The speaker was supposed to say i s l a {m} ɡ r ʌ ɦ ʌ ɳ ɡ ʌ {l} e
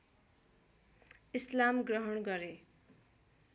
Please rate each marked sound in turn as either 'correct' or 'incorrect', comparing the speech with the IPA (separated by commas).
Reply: correct, incorrect